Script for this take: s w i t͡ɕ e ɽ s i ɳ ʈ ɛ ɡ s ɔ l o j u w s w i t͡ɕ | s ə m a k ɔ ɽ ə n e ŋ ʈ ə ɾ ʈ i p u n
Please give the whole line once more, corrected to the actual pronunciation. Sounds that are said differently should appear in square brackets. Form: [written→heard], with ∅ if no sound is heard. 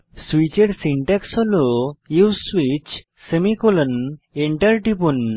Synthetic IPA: s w i t͡ɕ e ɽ s i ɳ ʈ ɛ [ɡ→k] s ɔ l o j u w s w i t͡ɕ | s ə m [a→i] k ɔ [ɽ→l] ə n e [ŋ→ɳ] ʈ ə ɾ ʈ i p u n